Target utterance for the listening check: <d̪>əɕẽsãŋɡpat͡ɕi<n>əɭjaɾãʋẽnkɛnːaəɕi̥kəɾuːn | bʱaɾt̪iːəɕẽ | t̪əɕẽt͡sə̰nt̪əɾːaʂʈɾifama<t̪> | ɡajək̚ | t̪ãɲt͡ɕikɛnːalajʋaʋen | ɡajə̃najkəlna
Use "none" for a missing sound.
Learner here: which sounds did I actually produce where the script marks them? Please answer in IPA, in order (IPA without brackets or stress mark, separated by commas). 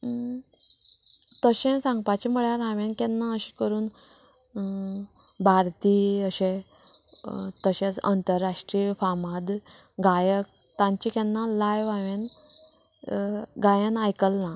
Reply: t̪, m, d̪